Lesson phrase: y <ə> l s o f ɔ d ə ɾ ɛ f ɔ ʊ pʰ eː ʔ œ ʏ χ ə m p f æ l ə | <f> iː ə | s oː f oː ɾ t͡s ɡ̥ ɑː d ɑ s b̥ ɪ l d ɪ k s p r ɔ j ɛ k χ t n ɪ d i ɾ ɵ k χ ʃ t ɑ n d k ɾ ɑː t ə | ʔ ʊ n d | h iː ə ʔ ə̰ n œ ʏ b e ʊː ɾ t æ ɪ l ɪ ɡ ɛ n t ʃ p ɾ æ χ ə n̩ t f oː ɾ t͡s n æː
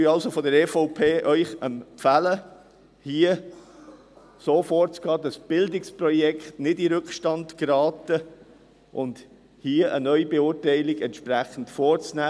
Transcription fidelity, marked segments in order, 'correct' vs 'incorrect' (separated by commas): incorrect, incorrect